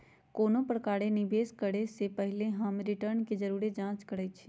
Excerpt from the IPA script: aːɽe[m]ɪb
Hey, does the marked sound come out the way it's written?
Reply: no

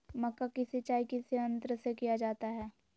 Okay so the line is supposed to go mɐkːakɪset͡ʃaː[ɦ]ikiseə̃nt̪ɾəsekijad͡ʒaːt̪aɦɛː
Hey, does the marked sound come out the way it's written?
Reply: no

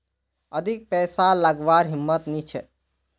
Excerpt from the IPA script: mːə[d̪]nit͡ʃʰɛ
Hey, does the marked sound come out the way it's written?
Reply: no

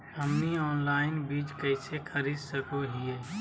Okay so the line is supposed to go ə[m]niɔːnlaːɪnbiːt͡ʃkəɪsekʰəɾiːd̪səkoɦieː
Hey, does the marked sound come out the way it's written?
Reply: yes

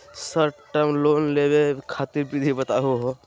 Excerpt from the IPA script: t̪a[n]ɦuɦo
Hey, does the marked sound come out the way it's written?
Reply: no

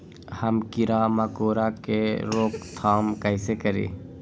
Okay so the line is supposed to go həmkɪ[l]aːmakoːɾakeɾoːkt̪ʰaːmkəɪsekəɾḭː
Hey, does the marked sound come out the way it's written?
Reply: no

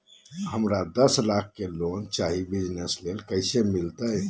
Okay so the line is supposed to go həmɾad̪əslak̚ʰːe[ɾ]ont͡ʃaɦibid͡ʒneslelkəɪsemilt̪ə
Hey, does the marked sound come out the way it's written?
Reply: no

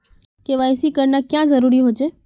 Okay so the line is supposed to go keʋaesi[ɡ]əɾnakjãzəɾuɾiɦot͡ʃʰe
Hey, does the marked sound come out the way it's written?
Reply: no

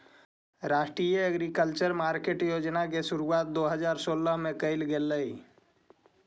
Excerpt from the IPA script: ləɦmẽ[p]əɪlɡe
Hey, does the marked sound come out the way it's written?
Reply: no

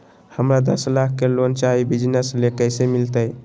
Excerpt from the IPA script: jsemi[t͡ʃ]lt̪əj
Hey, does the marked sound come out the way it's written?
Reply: no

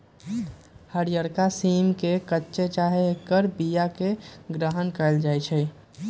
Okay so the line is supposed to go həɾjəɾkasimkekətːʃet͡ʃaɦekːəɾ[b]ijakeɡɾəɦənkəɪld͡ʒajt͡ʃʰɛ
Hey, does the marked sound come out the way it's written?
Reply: yes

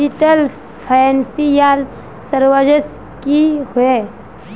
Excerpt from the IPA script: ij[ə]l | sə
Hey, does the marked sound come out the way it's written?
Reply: no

